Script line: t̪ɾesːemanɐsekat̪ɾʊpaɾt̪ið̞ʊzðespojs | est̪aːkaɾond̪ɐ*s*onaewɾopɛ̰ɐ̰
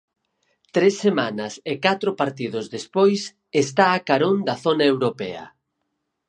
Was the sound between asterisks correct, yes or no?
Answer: no